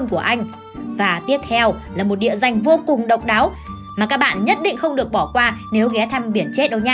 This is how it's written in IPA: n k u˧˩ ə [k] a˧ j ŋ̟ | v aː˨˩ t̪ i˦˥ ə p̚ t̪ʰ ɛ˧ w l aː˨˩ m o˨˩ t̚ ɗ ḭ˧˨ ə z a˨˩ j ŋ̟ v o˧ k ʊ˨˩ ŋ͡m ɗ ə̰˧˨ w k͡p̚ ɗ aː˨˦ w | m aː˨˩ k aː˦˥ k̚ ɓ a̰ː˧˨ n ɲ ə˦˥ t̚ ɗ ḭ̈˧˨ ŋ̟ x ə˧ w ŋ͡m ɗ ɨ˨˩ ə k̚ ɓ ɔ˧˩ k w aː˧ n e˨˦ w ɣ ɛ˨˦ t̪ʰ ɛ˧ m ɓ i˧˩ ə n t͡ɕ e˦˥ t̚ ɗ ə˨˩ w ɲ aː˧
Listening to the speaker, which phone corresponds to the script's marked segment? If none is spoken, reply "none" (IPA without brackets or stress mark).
ʔ